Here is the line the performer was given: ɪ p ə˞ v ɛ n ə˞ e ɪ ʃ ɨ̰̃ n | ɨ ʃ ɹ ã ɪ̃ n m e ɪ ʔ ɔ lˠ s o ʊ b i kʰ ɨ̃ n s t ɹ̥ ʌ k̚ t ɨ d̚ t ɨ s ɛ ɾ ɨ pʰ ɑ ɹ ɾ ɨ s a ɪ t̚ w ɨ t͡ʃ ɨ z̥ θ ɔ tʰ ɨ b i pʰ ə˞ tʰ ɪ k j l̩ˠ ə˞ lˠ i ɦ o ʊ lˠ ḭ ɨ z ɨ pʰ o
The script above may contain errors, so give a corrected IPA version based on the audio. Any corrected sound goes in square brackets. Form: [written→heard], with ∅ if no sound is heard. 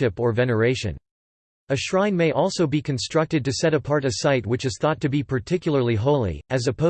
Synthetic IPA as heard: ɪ p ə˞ v ɛ n ə˞ e ɪ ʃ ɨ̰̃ n | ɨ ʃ ɹ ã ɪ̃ n m e ɪ ʔ ɔ lˠ s o ʊ b i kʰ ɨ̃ n s t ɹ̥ ʌ k̚ t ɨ d̚ t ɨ s ɛ ɾ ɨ pʰ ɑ ɹ ɾ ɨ s a ɪ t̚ w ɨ t͡ʃ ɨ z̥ θ ɔ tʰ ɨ b i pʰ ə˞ tʰ ɪ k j l̩ˠ ə˞ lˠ i ɦ o ʊ lˠ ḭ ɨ z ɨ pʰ o

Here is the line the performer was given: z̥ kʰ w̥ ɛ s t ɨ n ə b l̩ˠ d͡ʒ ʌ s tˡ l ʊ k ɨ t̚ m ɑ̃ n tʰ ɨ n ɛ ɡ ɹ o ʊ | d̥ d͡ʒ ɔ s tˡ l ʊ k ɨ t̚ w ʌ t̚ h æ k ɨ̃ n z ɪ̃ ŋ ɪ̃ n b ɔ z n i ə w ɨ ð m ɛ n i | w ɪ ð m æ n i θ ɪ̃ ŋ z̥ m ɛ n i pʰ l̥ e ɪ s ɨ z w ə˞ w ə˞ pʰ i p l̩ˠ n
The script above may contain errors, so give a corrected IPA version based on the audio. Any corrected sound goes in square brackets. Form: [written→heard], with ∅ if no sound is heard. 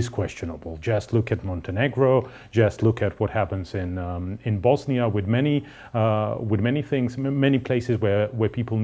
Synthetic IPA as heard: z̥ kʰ w̥ ɛ s [t→t͡ʃ] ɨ n ə b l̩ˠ d͡ʒ ʌ s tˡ l ʊ k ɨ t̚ m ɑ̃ n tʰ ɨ n ɛ ɡ ɹ o ʊ | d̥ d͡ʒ [ɔ→ʌ] s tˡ l ʊ k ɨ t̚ w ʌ t̚ h æ [k→p] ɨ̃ n z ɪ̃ [ŋ→n] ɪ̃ n b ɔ z n i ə w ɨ ð m ɛ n i | w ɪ ð m [æ→ɛ] n i θ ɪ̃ ŋ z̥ m ɛ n i pʰ l̥ e ɪ s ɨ z w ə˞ w ə˞ pʰ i p l̩ˠ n

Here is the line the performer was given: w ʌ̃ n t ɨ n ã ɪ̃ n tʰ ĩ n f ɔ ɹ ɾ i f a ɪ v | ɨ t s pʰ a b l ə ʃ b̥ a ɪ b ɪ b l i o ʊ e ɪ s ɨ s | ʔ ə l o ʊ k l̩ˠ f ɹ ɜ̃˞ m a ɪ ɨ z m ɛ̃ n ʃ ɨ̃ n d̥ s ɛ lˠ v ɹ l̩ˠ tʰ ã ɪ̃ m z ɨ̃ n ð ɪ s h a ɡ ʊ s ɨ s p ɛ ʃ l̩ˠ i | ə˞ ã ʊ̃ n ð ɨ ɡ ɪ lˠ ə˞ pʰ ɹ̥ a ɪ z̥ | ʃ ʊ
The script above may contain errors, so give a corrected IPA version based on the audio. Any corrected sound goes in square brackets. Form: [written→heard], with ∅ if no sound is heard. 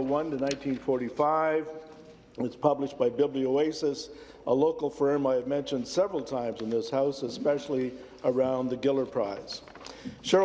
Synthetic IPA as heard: w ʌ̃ n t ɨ n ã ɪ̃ n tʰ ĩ n f ɔ ɹ ɾ i f a ɪ v | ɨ t s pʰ [a→ʌ] b l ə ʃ b̥ a ɪ b ɪ b l i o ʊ e ɪ s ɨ s | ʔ ə l o ʊ k l̩ˠ f ɹ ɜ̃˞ m a ɪ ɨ [z→v] m ɛ̃ n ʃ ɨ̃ n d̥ s ɛ [lˠ→∅] v ɹ l̩ˠ tʰ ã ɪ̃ m z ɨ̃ n ð ɪ s h a [ɡ→∅] ʊ s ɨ s p ɛ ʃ l̩ˠ i | ə˞ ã ʊ̃ n ð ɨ ɡ ɪ lˠ ə˞ pʰ ɹ̥ a ɪ z̥ | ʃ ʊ

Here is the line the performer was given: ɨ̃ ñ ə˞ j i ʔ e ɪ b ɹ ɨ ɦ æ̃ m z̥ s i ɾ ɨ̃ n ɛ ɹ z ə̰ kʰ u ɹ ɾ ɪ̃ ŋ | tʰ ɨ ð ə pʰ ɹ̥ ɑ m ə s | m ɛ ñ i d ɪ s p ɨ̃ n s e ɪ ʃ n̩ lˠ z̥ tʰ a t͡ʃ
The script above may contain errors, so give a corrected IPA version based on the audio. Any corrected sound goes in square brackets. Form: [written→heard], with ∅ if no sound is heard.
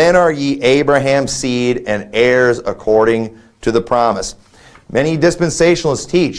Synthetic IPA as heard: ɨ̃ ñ ə˞ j i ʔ e ɪ b ɹ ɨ ɦ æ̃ m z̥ s i ɾ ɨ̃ n ɛ ɹ z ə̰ kʰ [u→ɔ] ɹ ɾ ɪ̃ ŋ | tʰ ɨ ð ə pʰ ɹ̥ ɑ m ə s | m ɛ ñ i d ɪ s p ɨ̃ n s e ɪ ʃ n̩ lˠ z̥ tʰ [a→i] t͡ʃ

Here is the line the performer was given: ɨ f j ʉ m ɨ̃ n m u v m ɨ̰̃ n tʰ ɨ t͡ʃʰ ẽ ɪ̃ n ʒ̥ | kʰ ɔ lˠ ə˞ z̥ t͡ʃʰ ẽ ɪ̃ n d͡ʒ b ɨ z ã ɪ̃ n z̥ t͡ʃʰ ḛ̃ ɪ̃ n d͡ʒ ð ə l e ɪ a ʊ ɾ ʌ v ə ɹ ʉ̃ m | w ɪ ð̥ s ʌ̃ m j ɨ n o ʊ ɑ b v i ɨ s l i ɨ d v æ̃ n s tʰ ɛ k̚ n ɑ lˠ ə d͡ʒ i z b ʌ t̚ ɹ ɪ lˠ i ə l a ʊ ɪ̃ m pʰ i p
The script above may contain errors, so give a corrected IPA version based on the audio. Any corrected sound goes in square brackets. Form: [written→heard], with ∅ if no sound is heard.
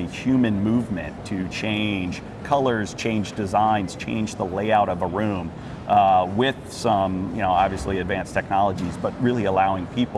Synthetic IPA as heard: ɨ [f→h] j ʉ m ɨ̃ n m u v m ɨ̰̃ n tʰ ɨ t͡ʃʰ ẽ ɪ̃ n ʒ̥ | kʰ [ɔ→ʌ] lˠ ə˞ z̥ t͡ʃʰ ẽ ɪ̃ n d͡ʒ [b→d] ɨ z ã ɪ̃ n z̥ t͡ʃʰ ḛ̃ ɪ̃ n d͡ʒ ð ə l e ɪ a ʊ ɾ ʌ v ə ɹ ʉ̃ m | w ɪ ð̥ s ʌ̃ m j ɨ n o ʊ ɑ b v i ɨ s l i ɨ d v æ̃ n s tʰ ɛ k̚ n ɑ lˠ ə d͡ʒ i z b ʌ t̚ ɹ ɪ lˠ i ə l a ʊ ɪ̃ [m→ŋ] pʰ i p

